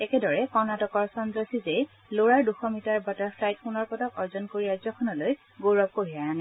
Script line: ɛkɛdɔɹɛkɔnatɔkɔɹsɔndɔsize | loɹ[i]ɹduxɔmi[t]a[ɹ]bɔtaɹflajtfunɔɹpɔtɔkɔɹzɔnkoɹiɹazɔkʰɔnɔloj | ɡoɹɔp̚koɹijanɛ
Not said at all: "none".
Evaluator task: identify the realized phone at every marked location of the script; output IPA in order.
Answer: a, t, ɹ

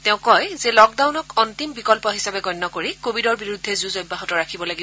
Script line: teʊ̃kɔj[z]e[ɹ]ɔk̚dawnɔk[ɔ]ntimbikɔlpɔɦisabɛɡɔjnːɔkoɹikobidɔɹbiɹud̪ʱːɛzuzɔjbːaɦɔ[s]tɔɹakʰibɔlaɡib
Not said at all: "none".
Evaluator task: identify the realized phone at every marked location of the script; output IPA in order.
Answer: z, l, ɔ, none

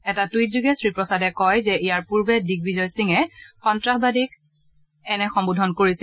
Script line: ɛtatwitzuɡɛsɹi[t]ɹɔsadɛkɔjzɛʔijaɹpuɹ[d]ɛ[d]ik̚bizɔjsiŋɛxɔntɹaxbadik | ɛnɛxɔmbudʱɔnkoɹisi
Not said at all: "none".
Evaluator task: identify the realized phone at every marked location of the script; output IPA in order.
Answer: p, b, d

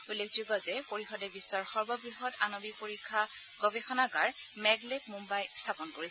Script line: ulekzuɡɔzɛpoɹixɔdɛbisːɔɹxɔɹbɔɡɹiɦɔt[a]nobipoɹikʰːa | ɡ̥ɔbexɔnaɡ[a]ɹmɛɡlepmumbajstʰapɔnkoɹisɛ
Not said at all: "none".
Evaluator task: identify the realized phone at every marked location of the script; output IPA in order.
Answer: a, a

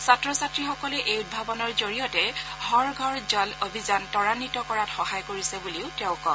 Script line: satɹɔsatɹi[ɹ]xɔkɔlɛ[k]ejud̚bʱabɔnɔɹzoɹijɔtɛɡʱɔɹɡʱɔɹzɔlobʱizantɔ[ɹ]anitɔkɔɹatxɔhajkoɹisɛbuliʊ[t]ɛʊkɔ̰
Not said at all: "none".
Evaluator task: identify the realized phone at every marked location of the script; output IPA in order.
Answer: none, ʔ, ɹ, t

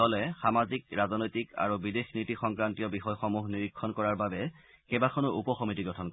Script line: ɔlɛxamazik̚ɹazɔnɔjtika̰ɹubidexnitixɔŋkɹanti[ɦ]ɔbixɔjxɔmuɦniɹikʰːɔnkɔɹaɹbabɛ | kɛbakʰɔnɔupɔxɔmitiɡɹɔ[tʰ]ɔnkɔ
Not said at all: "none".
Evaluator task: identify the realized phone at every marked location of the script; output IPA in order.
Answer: none, tʰ

